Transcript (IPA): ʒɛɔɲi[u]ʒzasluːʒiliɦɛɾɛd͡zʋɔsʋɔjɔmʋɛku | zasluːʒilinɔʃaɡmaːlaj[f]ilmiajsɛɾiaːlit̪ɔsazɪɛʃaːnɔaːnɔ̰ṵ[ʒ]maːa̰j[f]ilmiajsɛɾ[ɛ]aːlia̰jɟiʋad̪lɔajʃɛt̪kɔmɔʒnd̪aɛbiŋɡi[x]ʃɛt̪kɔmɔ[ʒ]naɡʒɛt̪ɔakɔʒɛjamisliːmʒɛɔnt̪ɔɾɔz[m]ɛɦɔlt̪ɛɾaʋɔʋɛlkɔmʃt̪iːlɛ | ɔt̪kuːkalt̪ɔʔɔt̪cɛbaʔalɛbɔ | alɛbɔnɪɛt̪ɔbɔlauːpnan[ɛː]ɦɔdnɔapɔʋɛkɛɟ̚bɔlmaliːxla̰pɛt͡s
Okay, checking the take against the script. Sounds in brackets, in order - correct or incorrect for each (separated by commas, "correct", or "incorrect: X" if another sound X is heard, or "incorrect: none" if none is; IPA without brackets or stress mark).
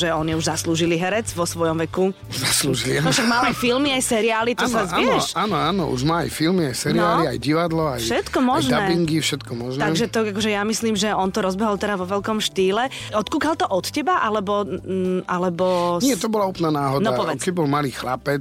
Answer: correct, correct, correct, correct, incorrect: i, incorrect: f, correct, incorrect: b, incorrect: aː